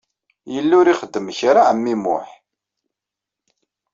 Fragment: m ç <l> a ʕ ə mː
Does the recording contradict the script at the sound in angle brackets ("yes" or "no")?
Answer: yes